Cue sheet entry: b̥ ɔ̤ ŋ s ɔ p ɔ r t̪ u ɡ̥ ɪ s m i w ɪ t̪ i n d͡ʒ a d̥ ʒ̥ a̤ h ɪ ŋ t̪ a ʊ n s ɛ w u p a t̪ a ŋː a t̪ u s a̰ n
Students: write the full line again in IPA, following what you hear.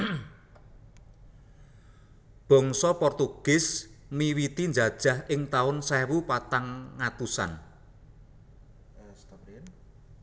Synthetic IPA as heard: b̥ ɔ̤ ŋ s ɔ p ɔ r t̪ u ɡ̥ ɪ s m i w i t̪ i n d͡ʒ a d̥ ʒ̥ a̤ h ɪ ŋ t̪ a ʊ n s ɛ w u p a t̪ a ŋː a t̪ u s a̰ n